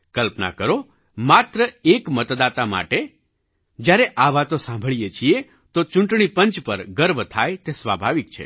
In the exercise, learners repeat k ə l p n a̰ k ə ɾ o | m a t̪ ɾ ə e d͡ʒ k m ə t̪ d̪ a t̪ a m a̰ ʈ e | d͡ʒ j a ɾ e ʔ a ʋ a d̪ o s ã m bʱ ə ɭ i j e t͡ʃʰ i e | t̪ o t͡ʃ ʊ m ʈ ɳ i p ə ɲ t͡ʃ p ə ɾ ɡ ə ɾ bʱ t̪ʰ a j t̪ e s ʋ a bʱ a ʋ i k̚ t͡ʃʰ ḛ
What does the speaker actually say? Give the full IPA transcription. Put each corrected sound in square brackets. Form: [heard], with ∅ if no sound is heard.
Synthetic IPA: k ə l p n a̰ k ə ɾ o | m a t̪ ɾ ə e [∅] k m ə t̪ d̪ a t̪ a m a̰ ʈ e | d͡ʒ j a ɾ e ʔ a ʋ a [t̪] o s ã m bʱ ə ɭ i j e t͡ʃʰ i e | t̪ o t͡ʃ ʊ [ɳ] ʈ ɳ i p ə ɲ t͡ʃ p ə ɾ ɡ ə ɾ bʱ t̪ʰ a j t̪ e s ʋ a bʱ a ʋ i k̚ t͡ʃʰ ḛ

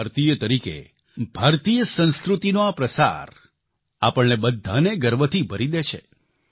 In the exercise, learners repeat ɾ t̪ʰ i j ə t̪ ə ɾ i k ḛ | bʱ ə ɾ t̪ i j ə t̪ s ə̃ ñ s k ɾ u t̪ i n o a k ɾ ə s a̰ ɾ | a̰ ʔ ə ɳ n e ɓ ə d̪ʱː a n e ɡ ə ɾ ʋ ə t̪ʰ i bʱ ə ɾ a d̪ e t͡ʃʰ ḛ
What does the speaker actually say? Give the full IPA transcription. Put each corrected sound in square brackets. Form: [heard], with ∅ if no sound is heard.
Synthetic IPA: ɾ [t̪] i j ə t̪ ə ɾ i k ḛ | bʱ [a] ɾ t̪ i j ə [∅] s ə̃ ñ s k ɾ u t̪ i n o a [p] ɾ ə s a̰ ɾ | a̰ [p] ə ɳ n e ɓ ə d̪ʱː a n e ɡ ə ɾ ʋ ə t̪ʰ i bʱ ə ɾ [i] d̪ e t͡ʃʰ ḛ

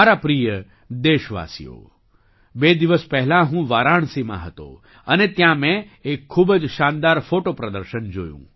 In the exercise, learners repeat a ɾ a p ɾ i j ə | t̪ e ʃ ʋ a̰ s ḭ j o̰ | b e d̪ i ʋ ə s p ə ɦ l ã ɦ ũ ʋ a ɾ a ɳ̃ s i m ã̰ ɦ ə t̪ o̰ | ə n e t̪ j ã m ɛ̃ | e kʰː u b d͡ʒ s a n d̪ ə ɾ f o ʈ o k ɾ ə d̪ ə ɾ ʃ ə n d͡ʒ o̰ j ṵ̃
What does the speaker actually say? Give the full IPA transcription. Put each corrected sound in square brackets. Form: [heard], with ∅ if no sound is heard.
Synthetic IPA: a ɾ a p ɾ i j ə | [d̪] e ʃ ʋ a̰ s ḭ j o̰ | b e d̪ i ʋ ə s p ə ɦ l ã ɦ ũ ʋ a ɾ a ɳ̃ s i m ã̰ ɦ ə t̪ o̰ | ə n e t̪ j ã m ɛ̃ | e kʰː u b d͡ʒ [ʃ] a n d̪ [a] ɾ f o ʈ o [p] ɾ ə d̪ ə ɾ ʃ ə n d͡ʒ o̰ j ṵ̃

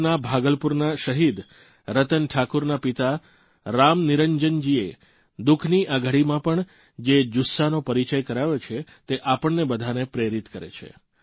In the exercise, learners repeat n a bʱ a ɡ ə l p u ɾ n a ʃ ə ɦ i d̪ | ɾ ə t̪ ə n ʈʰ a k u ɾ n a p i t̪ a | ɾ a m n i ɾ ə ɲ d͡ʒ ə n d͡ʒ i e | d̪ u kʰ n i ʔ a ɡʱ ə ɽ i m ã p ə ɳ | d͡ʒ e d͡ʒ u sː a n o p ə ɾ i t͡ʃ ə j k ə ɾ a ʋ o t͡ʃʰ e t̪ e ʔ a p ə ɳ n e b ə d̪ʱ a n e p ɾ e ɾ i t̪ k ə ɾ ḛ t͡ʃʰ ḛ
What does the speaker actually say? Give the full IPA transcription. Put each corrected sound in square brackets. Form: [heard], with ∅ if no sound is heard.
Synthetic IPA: n a bʱ a ɡ ə l p u ɾ n a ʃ ə ɦ i d̪ | ɾ ə t̪ ə n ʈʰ a k u ɾ n a p i t̪ a | ɾ a m n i ɾ ə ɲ d͡ʒ ə n d͡ʒ i e | d̪ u kʰ n i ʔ a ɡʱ ə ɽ i m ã p ə ɳ | d͡ʒ e d͡ʒ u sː a n o p ə ɾ i t͡ʃ ə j k ə ɾ a ʋ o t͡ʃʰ e t̪ e ʔ a p ə ɳ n e b ə d̪ʱ a n e p ɾ e ɾ i t̪ k ə ɾ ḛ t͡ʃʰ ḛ

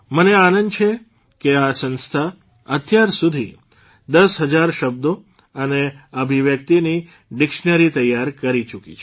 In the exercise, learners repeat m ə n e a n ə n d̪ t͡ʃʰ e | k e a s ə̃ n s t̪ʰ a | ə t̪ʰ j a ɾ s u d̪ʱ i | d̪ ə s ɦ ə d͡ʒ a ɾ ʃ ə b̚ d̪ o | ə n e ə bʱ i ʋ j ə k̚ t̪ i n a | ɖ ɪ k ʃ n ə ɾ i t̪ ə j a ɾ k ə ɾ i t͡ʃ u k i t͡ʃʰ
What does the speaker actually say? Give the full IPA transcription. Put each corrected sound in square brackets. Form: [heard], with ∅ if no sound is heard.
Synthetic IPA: m ə n e a n ə n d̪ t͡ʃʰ e | k e a s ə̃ n s t̪ʰ a | ə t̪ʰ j a ɾ s u d̪ʱ i | d̪ ə s ɦ ə d͡ʒ a ɾ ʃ ə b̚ d̪ o | ə n e ə bʱ i ʋ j ə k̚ t̪ i n [i] | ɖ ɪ k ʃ n ə ɾ i t̪ ə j a ɾ k ə ɾ i t͡ʃ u k i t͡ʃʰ

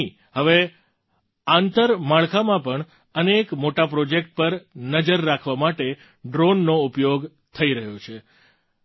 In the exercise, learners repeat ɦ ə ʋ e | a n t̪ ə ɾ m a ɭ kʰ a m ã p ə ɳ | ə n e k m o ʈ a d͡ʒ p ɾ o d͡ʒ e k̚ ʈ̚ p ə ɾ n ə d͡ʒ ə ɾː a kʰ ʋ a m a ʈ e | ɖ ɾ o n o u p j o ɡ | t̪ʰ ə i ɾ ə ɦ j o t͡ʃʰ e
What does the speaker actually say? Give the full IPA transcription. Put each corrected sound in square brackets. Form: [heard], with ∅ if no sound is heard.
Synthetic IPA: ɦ ə ʋ e | a n t̪ ə ɾ m a ɭ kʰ a m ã p ə ɳ | ə n e k m o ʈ a [∅] p ɾ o d͡ʒ e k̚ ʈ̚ p ə ɾ n ə d͡ʒ ə ɾː a kʰ ʋ a m a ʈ e | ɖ ɾ o [nː] o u p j o ɡ | t̪ʰ ə i ɾ ə ɦ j o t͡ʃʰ e

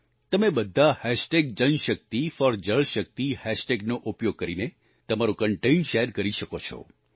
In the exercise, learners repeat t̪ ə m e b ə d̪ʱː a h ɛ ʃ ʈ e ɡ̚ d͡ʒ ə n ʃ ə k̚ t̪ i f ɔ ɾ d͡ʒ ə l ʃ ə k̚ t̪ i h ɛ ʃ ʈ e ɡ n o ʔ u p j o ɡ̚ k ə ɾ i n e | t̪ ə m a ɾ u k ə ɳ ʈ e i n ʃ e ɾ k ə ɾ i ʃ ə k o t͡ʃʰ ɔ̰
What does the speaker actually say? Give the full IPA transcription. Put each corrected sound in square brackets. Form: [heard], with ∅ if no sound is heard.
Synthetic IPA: t̪ ə m e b ə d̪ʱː a h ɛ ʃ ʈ e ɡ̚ d͡ʒ ə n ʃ ə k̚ t̪ i f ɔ ɾ d͡ʒ ə [ɭ] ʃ ə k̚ t̪ i h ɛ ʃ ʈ e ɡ n o ʔ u p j o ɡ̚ k ə ɾ i n e | t̪ ə m a ɾ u k ə ɳ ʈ e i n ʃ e ɾ k ə ɾ i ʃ ə k o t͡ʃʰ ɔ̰

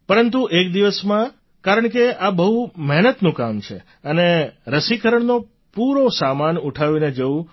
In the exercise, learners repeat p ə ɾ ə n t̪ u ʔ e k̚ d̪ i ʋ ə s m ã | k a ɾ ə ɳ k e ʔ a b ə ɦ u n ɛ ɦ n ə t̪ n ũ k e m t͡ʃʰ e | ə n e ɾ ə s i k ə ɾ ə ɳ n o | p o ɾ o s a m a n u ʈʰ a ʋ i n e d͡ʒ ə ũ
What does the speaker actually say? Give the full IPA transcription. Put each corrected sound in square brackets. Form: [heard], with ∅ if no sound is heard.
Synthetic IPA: p ə ɾ ə n t̪ u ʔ e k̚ d̪ i ʋ ə s m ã | k a ɾ ə ɳ k e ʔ a b ə ɦ u [m] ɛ ɦ n ə t̪ n ũ k [a] m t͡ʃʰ e | ə n e ɾ ə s i k ə ɾ ə ɳ n o | p [u] ɾ o s a m a n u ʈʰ a ʋ i n e d͡ʒ ə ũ

